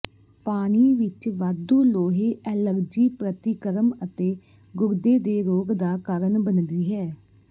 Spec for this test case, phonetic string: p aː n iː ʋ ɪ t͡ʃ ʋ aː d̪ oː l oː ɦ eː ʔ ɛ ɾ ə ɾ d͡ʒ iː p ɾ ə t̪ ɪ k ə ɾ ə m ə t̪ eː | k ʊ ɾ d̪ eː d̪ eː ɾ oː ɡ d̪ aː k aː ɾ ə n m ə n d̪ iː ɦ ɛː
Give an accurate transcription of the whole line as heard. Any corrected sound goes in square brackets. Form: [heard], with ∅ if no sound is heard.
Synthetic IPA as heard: p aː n iː ʋ ɪ t͡ʃ ʋ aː d̪ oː l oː ɦ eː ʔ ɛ [l] ə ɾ d͡ʒ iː p ɾ ə t̪ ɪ k ə ɾ ə m ə t̪ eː | [ɡ] ʊ ɾ d̪ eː d̪ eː ɾ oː ɡ d̪ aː k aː ɾ ə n [b] ə n d̪ iː ɦ ɛː

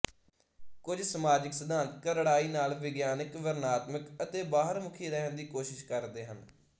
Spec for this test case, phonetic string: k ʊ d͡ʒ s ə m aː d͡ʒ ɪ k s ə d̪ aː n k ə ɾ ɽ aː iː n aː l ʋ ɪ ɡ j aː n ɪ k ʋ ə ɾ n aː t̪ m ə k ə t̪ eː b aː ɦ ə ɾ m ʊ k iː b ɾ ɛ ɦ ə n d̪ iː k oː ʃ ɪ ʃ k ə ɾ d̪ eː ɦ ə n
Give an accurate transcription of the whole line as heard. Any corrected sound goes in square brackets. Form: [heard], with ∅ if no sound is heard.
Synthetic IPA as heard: k ʊ d͡ʒ s ə m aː d͡ʒ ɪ k s ə d̪ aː n k ə ɾ ɽ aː iː n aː l ʋ ɪ ɡ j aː n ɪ k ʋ ə ɾ n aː t̪ m ə k ə t̪ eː b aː ɦ ə ɾ m ʊ [kʰ] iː [∅] ɾ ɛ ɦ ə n d̪ iː k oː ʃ ɪ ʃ k ə ɾ d̪ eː ɦ ə n

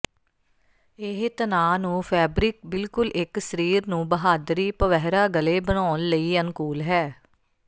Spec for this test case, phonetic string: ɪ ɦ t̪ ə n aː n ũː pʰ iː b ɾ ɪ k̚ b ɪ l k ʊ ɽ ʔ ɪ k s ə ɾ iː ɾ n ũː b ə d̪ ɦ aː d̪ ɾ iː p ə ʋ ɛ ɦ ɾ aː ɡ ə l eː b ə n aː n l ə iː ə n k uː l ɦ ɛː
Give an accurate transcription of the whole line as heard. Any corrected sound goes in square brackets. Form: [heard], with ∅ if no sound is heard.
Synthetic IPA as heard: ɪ ɦ t̪ ə n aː n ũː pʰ [ɛː] b ɾ ɪ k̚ b ɪ l k ʊ [l] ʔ ɪ k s ə ɾ iː ɾ n ũː b ə [∅] ɦ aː d̪ ɾ iː p ə ʋ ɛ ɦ ɾ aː ɡ ə l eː b ə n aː n l ə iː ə n k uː l ɦ ɛː

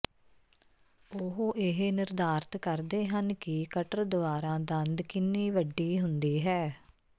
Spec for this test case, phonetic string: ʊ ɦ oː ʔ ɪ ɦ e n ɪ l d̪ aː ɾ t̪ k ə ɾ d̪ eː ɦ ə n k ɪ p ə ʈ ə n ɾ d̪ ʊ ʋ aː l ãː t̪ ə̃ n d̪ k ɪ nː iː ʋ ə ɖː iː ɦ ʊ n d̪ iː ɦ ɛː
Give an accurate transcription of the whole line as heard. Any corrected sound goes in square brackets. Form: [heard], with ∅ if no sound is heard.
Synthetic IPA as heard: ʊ ɦ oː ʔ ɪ ɦ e n ɪ [ɾ] d̪ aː ɾ t̪ k ə ɾ d̪ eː ɦ ə n k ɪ [k] ə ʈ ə [∅] ɾ d̪ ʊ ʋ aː [ɾ] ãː [d̪] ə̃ n d̪ k ɪ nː iː ʋ ə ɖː iː ɦ ʊ n d̪ iː ɦ ɛː

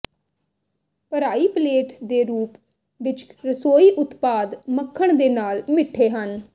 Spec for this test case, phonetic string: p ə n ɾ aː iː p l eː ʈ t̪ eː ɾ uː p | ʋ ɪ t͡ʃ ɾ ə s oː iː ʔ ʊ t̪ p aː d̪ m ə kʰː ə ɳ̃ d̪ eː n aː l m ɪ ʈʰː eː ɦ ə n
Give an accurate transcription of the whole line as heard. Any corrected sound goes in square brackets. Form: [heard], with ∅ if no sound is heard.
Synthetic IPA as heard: p ə [∅] ɾ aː iː p l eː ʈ [d̪] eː ɾ uː p | ʋ ɪ t͡ʃ ɾ ə s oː iː ʔ ʊ t̪ p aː d̪ m ə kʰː ə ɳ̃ d̪ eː n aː l m ɪ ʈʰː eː ɦ ə n

